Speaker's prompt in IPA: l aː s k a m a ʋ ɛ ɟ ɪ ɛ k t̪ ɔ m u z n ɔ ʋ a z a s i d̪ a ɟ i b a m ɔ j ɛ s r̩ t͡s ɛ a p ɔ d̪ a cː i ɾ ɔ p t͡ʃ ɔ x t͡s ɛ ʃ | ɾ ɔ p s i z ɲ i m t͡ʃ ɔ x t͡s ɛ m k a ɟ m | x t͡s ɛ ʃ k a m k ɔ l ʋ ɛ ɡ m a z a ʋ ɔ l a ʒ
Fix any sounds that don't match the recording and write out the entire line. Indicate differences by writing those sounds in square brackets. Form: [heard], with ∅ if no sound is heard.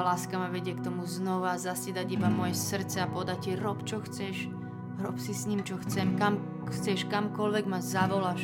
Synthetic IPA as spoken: l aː s k a m a ʋ ɛ ɟ ɪ ɛ k t̪ ɔ m u z n ɔ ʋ a z a s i d̪ a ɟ i b a m ɔ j ɛ s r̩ t͡s ɛ a p ɔ d̪ a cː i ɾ ɔ p t͡ʃ ɔ x t͡s ɛ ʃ | ɾ ɔ p s i [s] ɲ i m t͡ʃ ɔ x t͡s ɛ m k a [∅] m | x t͡s ɛ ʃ k a m k ɔ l ʋ ɛ ɡ m a z a ʋ ɔ l a [ʃ]